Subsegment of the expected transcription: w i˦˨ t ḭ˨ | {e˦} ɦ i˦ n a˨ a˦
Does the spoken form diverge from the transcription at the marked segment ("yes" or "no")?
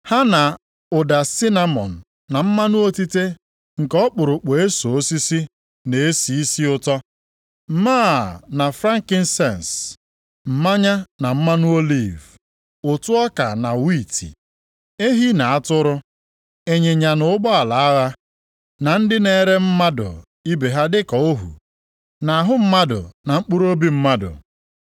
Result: no